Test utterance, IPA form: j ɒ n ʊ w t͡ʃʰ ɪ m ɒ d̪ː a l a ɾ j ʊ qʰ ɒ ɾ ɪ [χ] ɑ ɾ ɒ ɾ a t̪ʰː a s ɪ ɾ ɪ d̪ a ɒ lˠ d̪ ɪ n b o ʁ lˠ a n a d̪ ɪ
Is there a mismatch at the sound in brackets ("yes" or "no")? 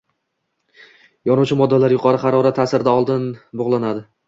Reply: no